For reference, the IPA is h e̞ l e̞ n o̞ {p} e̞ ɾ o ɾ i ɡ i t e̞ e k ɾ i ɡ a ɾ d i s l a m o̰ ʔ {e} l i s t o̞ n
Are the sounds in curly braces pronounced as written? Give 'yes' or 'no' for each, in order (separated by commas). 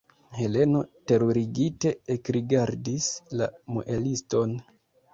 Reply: no, yes